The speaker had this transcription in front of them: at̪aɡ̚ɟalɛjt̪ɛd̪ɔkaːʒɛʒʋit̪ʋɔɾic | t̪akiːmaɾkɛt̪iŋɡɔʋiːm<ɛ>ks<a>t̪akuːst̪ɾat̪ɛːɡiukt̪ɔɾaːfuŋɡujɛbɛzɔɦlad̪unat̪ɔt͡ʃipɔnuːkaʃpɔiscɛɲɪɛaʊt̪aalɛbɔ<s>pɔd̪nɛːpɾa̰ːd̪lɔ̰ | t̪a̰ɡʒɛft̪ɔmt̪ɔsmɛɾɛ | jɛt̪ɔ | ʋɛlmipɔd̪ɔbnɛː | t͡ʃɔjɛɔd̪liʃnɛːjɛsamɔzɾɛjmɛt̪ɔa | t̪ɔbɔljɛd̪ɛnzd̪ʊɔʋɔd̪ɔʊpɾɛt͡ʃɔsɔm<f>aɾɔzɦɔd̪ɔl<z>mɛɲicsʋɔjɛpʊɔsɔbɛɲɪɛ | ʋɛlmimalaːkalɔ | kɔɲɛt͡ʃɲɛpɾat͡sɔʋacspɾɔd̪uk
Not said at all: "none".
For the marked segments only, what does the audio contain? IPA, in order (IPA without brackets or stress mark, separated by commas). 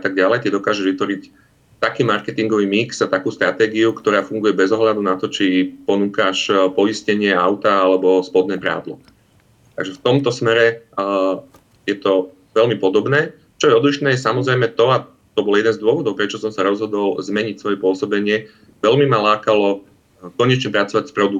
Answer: i, a, s, s, z